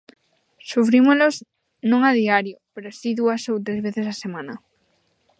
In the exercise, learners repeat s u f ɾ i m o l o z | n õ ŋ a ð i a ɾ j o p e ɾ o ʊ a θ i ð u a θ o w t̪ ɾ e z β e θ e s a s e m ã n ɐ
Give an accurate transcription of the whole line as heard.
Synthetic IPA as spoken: s u f ɾ i m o l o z | n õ ŋ a ð i a ɾ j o p e ɾ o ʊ a s i ð u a s o w t̪ ɾ e z β e θ e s a s e m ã n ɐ